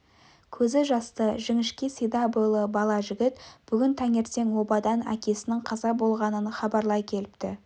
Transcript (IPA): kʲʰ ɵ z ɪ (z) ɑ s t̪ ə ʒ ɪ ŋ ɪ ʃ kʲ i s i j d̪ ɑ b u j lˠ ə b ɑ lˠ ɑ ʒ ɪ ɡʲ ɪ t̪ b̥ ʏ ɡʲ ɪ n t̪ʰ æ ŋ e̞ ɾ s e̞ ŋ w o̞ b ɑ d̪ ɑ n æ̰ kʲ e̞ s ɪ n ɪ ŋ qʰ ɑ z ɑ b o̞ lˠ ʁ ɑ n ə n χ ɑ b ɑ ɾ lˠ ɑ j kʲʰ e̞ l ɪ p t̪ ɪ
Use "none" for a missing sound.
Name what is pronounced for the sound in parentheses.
ʒ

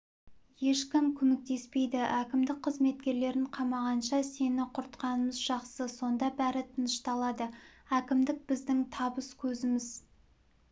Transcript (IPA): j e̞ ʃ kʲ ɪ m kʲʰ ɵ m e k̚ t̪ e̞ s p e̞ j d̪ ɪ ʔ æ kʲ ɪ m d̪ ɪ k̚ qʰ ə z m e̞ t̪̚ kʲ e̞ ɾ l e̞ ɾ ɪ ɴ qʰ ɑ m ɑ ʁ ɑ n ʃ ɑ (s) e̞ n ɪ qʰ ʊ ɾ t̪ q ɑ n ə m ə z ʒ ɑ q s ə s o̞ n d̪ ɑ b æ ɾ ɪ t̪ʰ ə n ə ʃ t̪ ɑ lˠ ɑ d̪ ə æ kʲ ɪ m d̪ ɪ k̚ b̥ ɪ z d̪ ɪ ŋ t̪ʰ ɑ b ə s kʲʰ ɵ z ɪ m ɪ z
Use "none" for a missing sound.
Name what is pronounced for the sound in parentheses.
s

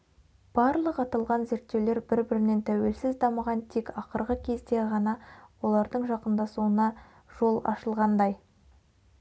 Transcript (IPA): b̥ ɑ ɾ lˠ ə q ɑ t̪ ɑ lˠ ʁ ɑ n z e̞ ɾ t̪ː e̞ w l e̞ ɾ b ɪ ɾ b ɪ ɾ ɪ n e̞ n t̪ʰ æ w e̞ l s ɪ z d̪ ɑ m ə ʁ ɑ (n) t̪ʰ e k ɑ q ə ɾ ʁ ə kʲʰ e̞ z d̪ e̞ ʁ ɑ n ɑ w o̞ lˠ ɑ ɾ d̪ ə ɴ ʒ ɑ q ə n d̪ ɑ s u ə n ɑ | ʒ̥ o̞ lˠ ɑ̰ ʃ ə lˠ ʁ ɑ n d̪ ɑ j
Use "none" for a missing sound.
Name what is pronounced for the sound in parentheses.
n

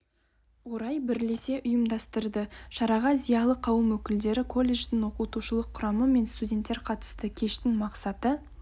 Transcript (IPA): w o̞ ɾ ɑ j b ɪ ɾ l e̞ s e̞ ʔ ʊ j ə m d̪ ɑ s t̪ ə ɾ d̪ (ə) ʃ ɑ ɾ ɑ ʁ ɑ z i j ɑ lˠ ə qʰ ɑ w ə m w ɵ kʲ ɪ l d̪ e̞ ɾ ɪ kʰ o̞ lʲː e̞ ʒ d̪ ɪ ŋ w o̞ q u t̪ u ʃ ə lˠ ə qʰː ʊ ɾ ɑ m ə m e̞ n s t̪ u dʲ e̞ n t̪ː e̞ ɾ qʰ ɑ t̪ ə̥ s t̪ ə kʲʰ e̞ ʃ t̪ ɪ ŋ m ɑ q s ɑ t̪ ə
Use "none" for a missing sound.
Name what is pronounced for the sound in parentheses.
ə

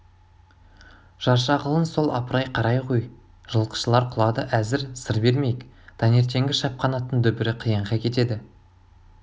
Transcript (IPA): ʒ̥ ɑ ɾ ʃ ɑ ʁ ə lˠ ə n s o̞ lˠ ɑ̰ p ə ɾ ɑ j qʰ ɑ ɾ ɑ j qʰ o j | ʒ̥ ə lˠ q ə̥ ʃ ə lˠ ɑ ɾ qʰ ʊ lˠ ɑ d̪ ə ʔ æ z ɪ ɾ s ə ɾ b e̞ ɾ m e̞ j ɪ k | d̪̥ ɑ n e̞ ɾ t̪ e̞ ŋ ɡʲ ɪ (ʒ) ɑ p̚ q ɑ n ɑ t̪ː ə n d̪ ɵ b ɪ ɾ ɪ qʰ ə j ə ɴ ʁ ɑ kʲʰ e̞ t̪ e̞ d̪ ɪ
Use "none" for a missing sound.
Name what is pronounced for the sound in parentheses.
ʃ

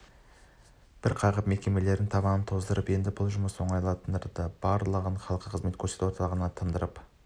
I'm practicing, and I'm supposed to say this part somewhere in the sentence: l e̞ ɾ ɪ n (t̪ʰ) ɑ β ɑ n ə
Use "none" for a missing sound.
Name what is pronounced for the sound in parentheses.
t̪ʰ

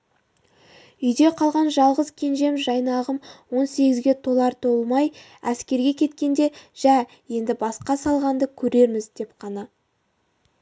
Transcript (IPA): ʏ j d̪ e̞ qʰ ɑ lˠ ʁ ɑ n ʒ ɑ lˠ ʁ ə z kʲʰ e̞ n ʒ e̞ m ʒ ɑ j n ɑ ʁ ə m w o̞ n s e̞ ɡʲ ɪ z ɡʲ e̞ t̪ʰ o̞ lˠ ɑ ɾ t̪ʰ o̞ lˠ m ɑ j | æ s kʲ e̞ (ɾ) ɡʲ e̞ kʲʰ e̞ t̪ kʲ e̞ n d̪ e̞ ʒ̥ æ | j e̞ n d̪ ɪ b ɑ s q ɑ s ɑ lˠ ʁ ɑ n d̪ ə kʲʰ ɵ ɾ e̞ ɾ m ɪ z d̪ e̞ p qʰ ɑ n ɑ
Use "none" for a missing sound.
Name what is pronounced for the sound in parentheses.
ɾ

